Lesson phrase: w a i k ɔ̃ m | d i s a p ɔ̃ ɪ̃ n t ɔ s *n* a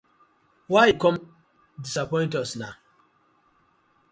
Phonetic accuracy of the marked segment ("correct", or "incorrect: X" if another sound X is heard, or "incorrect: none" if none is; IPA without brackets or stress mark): correct